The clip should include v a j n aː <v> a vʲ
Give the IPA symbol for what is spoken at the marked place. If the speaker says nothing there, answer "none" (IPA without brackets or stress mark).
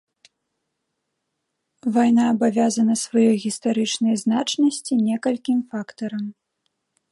b